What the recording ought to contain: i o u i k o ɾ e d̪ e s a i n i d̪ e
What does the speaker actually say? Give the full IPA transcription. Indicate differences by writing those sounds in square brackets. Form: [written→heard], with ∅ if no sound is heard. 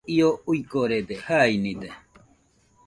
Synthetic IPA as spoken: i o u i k o ɾ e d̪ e [s→h] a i n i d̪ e